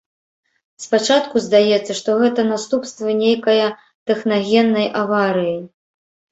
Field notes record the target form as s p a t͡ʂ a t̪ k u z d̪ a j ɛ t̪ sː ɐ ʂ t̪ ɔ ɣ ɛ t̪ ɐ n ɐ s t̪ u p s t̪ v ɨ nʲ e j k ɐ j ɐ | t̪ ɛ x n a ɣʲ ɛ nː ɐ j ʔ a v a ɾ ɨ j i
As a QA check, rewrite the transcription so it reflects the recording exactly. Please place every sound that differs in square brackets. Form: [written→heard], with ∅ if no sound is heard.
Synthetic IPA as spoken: s p a t͡ʂ a t̪ k u z d̪ a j ɛ t̪ sː ɐ ʂ t̪ ɔ ɣ ɛ t̪ ɐ n [ɐ→a] s t̪ u p s t̪ v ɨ nʲ e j k ɐ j ɐ | t̪ ɛ x n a ɣʲ ɛ nː ɐ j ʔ a v a ɾ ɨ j i